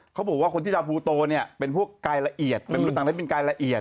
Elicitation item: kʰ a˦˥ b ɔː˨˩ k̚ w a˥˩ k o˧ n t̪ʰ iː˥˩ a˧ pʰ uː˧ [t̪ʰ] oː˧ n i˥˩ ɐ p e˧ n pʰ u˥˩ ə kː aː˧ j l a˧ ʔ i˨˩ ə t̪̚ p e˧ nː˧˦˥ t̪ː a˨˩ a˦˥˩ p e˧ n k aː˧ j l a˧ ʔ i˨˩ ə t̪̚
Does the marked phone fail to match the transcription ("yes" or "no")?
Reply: yes